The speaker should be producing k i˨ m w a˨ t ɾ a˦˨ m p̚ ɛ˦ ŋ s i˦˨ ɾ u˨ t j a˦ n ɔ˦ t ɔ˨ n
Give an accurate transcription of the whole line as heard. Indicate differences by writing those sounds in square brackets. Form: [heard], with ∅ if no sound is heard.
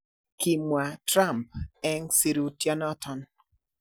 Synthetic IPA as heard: k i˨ m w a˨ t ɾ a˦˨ m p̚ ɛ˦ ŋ s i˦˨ ɾ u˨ t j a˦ n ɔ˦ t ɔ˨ n